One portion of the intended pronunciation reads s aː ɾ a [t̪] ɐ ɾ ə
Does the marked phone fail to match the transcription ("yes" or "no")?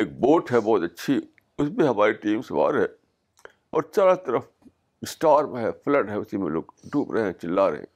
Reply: no